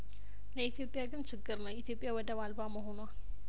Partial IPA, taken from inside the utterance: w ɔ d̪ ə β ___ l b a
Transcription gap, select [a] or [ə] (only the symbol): a